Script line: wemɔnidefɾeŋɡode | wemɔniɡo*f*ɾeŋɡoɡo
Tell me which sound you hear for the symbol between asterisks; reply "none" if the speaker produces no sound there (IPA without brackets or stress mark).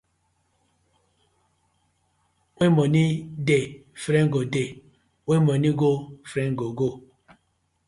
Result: f